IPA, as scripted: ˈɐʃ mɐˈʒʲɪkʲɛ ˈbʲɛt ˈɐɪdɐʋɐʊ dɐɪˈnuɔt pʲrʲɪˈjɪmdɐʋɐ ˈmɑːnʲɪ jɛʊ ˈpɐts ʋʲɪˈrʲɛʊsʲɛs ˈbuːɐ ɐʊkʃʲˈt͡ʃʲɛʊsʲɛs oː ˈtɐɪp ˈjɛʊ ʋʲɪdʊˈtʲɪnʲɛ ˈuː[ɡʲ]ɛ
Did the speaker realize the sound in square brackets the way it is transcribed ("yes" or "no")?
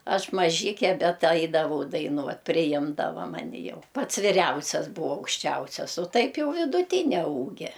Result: yes